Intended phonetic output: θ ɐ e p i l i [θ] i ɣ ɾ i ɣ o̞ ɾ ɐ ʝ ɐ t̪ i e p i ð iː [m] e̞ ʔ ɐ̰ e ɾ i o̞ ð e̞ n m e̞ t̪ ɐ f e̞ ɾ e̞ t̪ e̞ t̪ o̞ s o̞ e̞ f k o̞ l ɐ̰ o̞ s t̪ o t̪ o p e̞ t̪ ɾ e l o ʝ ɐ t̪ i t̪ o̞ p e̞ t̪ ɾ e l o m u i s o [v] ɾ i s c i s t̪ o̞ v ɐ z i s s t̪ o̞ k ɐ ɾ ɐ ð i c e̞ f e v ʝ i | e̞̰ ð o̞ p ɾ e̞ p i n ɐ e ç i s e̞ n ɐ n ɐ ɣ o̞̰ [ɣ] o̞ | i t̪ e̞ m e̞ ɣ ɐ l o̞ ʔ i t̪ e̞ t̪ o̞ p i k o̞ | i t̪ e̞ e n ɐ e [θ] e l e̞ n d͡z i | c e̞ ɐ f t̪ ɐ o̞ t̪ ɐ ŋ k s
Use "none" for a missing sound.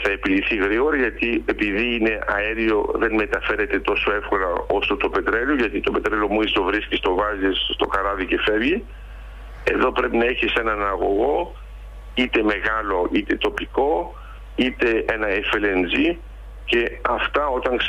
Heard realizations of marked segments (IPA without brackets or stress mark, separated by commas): θ, n, v, ɣ, f